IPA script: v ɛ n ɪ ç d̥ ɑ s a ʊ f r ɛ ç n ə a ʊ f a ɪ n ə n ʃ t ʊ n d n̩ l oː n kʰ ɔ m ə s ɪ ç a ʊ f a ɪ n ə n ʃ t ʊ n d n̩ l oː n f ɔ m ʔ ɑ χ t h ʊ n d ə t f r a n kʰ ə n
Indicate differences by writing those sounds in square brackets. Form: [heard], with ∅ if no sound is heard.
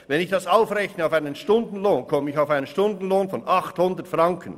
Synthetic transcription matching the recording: v ɛ n ɪ ç d̥ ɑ s a ʊ f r ɛ ç n ə a ʊ f a ɪ n ə n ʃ t ʊ n d n̩ l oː n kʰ ɔ m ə [∅] ɪ ç a ʊ f a ɪ n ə n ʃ t ʊ n d n̩ l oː n f ɔ [n] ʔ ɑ χ t h ʊ n d ə t f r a [ŋ] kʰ ə n